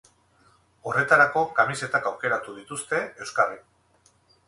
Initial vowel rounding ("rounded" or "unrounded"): rounded